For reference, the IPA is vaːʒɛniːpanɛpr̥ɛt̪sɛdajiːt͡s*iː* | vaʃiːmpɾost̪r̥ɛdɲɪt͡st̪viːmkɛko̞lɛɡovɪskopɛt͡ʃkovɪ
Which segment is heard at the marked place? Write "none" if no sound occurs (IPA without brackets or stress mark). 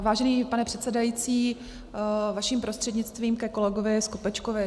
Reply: iː